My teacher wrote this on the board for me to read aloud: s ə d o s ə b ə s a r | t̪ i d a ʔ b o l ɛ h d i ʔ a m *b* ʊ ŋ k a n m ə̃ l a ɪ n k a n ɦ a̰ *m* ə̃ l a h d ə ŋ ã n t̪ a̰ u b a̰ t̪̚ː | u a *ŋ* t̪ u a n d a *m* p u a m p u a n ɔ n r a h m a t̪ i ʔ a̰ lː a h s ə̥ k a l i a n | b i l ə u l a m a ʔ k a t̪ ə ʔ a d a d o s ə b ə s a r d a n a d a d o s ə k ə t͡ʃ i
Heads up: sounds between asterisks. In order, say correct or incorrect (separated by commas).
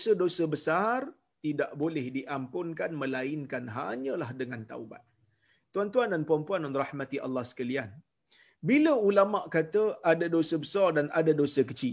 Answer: incorrect, incorrect, incorrect, incorrect